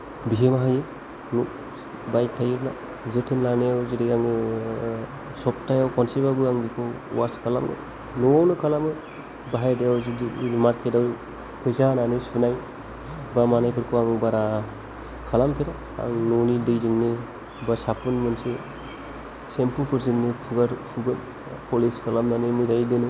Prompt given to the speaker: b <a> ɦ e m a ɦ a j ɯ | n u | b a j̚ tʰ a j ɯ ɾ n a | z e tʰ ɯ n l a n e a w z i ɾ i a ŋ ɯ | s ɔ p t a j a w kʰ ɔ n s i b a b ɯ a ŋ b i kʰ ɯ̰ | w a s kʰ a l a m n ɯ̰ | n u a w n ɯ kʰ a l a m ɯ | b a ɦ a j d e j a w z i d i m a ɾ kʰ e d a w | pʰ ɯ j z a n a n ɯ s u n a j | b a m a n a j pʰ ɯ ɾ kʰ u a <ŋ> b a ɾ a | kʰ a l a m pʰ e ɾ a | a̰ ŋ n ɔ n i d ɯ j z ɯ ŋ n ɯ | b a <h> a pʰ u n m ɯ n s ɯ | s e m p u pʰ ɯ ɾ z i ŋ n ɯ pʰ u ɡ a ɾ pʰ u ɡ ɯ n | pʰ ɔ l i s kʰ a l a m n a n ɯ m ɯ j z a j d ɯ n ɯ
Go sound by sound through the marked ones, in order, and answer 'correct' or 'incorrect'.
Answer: incorrect: i, correct, incorrect: s

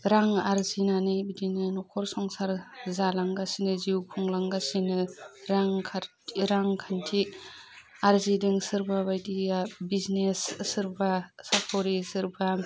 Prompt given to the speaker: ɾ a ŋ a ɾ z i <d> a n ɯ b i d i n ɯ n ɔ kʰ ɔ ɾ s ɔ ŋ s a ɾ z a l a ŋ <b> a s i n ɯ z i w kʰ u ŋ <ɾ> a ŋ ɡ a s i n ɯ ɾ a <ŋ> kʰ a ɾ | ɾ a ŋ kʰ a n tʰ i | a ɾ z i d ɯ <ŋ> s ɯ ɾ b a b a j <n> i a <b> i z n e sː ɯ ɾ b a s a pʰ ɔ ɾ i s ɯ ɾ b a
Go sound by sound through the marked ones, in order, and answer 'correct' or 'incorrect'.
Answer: incorrect: n, incorrect: ɡ, incorrect: l, correct, correct, incorrect: d, correct

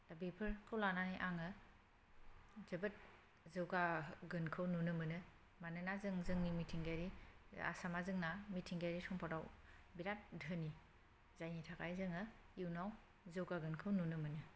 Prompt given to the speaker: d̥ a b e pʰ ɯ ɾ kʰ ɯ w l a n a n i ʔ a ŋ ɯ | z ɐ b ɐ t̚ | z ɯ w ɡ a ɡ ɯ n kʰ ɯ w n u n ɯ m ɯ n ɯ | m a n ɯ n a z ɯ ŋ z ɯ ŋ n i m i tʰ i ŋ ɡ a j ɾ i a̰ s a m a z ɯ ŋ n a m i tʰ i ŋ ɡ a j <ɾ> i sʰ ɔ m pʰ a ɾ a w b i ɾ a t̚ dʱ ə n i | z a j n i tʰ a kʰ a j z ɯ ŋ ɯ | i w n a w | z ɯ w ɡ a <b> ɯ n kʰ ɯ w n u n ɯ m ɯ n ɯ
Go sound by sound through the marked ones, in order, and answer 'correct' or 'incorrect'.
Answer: correct, incorrect: ɡ

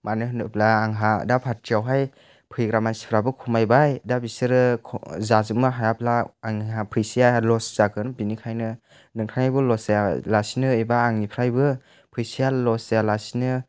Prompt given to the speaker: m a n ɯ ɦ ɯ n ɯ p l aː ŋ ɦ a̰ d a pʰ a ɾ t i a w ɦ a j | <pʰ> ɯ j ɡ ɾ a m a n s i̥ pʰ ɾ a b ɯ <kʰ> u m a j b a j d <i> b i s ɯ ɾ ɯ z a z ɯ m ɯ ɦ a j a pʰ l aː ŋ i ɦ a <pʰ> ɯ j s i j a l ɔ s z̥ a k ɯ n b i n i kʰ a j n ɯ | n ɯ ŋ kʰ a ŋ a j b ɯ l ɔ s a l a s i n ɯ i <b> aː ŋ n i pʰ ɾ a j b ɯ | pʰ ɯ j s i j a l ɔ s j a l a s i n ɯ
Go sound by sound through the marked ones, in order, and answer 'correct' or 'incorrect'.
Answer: correct, correct, incorrect: a, correct, correct

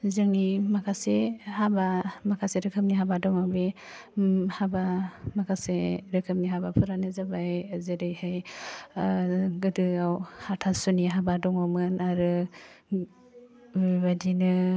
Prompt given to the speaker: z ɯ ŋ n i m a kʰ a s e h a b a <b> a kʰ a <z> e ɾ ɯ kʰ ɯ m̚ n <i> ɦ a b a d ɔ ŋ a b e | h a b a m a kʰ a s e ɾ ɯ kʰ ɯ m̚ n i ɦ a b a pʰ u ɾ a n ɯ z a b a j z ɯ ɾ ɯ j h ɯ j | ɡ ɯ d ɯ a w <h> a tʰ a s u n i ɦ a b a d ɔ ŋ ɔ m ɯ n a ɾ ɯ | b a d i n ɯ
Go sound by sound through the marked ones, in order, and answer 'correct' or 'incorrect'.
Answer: incorrect: m, incorrect: s, correct, correct

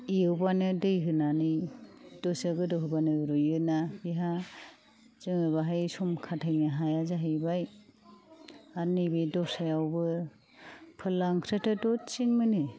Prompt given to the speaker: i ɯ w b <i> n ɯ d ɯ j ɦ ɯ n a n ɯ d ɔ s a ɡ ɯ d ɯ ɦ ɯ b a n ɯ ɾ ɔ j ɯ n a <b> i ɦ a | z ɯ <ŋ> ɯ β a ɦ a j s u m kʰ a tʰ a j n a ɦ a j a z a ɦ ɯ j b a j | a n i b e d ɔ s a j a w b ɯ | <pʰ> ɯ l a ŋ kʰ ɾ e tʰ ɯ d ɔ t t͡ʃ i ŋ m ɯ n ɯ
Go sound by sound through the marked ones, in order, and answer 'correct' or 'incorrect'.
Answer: incorrect: a, correct, correct, correct

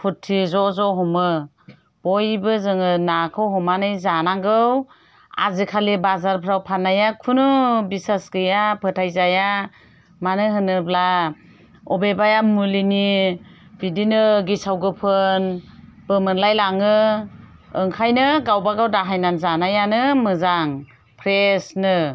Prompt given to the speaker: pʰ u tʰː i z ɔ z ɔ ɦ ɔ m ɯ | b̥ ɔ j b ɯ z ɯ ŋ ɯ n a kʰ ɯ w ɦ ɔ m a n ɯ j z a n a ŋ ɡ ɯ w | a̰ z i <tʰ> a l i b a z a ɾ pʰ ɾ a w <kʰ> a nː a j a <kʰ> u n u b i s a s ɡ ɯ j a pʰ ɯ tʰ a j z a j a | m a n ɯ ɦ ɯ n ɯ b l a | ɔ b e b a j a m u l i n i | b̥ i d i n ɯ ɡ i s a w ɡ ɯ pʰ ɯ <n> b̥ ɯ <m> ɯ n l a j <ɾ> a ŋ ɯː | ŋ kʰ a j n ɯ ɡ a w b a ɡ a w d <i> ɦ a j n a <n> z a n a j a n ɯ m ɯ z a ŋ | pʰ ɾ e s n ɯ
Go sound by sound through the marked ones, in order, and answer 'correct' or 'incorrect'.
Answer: incorrect: kʰ, incorrect: pʰ, correct, correct, correct, incorrect: l, incorrect: a, correct

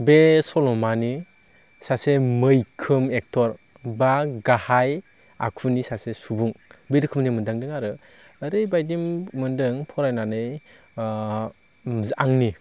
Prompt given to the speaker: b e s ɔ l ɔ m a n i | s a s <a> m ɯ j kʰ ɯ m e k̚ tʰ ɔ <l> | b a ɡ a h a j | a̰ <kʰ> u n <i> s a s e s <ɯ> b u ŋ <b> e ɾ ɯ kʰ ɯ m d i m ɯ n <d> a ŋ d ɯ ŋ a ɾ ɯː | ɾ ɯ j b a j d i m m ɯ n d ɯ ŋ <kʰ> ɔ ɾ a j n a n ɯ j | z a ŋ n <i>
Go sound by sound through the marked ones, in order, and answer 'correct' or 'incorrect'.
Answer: incorrect: e, incorrect: ɾ, correct, correct, incorrect: u, correct, correct, incorrect: pʰ, correct

